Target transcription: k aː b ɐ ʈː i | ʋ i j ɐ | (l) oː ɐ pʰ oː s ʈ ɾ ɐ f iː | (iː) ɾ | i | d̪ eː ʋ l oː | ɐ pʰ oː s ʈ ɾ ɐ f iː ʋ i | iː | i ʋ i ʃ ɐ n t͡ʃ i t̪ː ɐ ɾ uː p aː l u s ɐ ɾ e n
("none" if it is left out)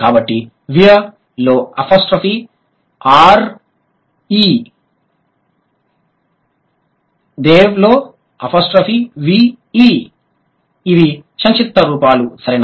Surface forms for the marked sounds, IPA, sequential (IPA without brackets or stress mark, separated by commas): l, aː